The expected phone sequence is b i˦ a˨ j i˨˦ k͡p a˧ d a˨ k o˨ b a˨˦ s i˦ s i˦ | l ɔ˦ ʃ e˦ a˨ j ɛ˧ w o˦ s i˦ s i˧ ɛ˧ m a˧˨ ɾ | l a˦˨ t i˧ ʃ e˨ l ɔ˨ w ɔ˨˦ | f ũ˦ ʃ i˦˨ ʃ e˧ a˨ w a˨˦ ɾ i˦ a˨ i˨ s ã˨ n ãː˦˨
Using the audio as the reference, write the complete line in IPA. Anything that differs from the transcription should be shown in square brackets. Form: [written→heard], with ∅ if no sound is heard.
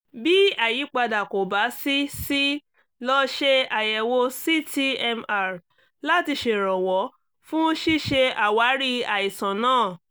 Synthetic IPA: b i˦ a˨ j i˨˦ k͡p a˧ d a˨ k o˨ b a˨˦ s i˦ s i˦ | l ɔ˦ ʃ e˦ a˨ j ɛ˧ w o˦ s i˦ [s→t] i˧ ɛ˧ m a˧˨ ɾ | l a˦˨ t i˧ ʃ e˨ [l→ɾ] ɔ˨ w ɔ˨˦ | f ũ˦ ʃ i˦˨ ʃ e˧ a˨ w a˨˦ ɾ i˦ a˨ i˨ s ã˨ n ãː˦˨